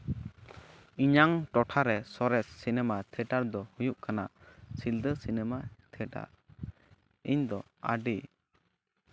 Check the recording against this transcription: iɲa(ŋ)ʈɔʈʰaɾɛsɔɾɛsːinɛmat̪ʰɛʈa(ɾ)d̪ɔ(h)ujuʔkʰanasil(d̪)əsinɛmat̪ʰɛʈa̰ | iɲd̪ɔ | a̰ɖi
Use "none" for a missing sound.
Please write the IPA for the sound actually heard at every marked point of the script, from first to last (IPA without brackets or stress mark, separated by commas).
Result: ŋ, ɾ, h, d̪